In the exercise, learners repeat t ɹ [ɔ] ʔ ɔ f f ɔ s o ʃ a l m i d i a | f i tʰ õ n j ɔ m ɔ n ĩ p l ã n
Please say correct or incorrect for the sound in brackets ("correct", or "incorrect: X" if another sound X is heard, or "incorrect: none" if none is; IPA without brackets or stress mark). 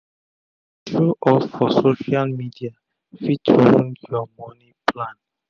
incorrect: u